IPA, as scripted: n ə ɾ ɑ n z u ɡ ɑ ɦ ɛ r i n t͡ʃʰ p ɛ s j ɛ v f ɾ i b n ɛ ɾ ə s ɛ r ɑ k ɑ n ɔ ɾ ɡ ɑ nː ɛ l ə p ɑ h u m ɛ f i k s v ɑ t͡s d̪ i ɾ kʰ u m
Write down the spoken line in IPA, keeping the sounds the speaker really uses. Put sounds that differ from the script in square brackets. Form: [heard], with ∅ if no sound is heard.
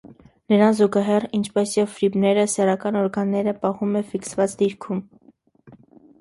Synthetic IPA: n ə ɾ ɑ n z u ɡ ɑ ɦ ɛ r i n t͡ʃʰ p ɛ s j ɛ v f ɾ i b n ɛ ɾ ə s ɛ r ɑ k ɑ n ɔ ɾ ɡ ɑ nː ɛ [ɾ] ə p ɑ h u m ɛ f i k s v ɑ t͡s d̪ i ɾ kʰ u m

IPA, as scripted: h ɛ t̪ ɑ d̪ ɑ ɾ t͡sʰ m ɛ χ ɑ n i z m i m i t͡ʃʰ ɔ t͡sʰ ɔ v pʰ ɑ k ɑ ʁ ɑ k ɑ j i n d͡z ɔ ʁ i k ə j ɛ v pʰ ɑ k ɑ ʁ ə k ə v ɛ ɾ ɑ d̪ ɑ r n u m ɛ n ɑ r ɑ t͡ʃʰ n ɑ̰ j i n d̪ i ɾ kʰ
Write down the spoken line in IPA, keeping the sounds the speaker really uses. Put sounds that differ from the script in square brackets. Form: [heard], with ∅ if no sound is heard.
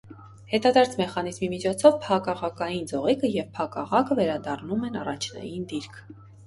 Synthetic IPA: h ɛ t̪ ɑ d̪ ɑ ɾ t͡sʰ m ɛ χ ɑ n i z m i m i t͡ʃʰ ɔ t͡sʰ ɔ v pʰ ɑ k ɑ ʁ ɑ k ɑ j i n d͡z ɔ ʁ i k ə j ɛ v pʰ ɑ k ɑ ʁ [ɑ] k ə v ɛ ɾ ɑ d̪ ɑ r n u m ɛ n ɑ r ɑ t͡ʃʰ n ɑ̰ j i n d̪ i ɾ kʰ

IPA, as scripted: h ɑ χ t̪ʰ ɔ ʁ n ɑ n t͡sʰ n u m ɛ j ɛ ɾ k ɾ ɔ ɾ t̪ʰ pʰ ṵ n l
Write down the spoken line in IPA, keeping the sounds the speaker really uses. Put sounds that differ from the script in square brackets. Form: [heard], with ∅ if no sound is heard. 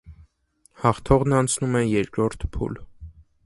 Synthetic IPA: h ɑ χ t̪ʰ ɔ ʁ n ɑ n t͡sʰ n u m ɛ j ɛ ɾ k ɾ ɔ ɾ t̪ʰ pʰ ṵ [∅] l

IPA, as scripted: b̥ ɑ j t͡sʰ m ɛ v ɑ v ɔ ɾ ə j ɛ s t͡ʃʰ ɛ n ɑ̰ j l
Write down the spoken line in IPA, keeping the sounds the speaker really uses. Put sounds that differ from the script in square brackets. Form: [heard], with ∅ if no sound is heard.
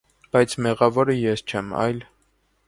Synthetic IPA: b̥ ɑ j t͡sʰ m ɛ [ʁ] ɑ v ɔ ɾ ə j ɛ s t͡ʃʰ ɛ [m] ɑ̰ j l

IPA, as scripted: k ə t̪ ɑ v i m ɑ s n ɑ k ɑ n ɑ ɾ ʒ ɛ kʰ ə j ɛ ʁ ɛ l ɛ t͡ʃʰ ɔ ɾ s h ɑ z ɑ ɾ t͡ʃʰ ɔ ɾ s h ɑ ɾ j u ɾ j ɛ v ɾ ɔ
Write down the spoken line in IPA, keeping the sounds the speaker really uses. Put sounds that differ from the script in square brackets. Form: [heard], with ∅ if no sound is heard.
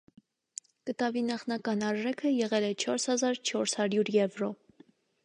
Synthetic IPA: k ə t̪ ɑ v i [n] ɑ [χ] n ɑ k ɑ n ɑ ɾ ʒ ɛ kʰ ə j ɛ ʁ ɛ l ɛ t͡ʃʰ ɔ ɾ s h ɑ z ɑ ɾ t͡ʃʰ ɔ ɾ s h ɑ ɾ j u ɾ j ɛ v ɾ ɔ

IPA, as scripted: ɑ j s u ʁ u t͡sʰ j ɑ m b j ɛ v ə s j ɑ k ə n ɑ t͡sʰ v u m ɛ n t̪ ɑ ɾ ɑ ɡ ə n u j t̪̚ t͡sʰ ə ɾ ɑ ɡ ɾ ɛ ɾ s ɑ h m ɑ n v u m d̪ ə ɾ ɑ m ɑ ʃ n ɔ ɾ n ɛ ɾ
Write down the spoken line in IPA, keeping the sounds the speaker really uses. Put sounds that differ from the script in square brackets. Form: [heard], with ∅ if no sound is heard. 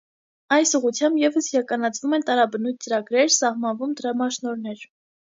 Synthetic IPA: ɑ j s u ʁ u t͡sʰ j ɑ m b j ɛ v ə s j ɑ k [ɑ] n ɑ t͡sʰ v u m ɛ n t̪ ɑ ɾ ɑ [b] ə n u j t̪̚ [t͡s] ə ɾ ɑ ɡ ɾ ɛ ɾ s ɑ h m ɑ n v u m d̪ ə ɾ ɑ m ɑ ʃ n ɔ ɾ n ɛ ɾ

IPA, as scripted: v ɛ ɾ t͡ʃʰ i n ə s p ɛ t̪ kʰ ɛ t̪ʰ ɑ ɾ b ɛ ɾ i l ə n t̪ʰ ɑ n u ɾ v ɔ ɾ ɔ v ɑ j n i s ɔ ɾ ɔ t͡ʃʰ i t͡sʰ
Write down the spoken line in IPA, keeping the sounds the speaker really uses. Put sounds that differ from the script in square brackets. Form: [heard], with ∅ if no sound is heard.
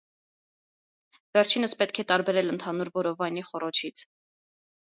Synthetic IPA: v ɛ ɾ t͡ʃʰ i n ə s p ɛ t̪ kʰ ɛ [t̪] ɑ ɾ b ɛ ɾ [ɛ] l ə n t̪ʰ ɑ n u ɾ v ɔ ɾ ɔ v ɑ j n i [χ] ɔ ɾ ɔ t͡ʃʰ i t͡sʰ

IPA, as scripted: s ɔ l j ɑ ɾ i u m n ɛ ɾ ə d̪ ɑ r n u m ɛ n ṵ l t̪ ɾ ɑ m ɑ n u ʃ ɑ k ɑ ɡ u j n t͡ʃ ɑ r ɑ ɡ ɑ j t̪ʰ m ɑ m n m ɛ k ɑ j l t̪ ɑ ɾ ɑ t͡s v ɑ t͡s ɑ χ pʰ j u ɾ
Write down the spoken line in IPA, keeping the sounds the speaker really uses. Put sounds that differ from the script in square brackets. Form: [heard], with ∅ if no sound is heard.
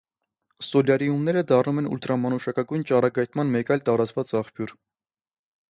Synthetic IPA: s ɔ l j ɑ ɾ i u m n ɛ ɾ ə d̪ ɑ r n u m ɛ n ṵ l t̪ ɾ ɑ m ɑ n u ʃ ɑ k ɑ ɡ u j n t͡ʃ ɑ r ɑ ɡ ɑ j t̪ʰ m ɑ [∅] n m ɛ k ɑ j l t̪ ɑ ɾ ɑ t͡s v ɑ t͡s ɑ χ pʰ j u ɾ

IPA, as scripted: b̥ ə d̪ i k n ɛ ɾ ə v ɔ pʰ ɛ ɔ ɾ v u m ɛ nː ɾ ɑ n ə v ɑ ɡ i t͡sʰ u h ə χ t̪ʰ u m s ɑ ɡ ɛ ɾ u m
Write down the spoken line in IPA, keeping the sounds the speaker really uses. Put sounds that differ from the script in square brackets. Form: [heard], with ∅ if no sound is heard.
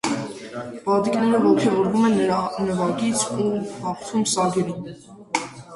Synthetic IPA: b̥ [ɑ] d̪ i k n ɛ ɾ ə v ɔ [kʰ] ɛ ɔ ɾ v u m ɛ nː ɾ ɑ n ə v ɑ ɡ i t͡sʰ u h [ɑ] χ t̪ʰ u m s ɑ ɡ ɛ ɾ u m

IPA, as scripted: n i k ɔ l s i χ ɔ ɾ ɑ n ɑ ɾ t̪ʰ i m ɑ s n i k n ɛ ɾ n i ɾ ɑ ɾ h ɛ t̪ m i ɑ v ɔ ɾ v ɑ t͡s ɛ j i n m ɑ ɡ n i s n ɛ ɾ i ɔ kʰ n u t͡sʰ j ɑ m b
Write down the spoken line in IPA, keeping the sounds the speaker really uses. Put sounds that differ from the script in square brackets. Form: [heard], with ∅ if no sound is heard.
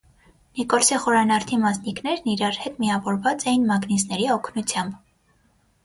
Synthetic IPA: n i k ɔ l s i χ ɔ ɾ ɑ n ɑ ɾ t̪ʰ i m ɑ s n i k n ɛ ɾ n i ɾ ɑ ɾ h ɛ t̪ m i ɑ v ɔ ɾ v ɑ t͡s ɛ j i n m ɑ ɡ n i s n ɛ ɾ i ɔ kʰ n u t͡sʰ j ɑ m b

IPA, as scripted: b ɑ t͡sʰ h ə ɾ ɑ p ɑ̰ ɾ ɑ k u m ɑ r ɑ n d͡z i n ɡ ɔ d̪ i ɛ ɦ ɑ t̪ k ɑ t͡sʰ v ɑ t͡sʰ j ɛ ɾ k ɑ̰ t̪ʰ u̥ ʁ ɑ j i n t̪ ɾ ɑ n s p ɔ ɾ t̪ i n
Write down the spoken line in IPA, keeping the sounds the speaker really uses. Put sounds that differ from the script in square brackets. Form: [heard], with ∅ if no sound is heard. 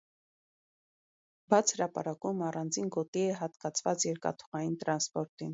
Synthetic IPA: b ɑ t͡sʰ h ə ɾ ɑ p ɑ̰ ɾ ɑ k u m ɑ r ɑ n d͡z i n ɡ ɔ [t̪] i ɛ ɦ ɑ t̪ k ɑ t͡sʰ v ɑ [t͡s] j ɛ ɾ k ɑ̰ t̪ʰ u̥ ʁ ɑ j i n t̪ ɾ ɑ n s p ɔ ɾ t̪ i n

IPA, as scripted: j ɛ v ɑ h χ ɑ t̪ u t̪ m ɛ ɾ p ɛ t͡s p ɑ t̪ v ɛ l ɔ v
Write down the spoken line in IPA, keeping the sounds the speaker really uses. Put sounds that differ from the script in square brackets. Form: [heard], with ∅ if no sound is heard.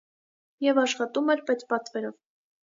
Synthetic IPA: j ɛ v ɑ [ʃ] χ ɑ t̪ u [∅] m ɛ ɾ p ɛ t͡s p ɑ t̪ v ɛ [ɾ] ɔ v

